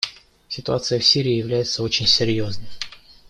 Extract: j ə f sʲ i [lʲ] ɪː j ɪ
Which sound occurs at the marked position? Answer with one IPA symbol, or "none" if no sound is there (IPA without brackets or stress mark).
ɾʲ